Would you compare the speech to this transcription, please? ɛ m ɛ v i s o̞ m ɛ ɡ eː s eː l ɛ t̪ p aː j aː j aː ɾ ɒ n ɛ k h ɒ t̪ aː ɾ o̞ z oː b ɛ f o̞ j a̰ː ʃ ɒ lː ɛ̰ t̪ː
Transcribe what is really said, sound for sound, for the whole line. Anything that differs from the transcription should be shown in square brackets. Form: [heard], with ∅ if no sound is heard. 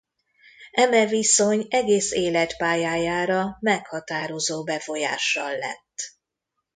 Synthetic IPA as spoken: ɛ m ɛ v i s o̞ [ɲ] ɛ ɡ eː s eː l ɛ t̪ p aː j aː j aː ɾ ɒ [m] ɛ k h ɒ t̪ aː ɾ o̞ z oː b ɛ f o̞ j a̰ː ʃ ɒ lː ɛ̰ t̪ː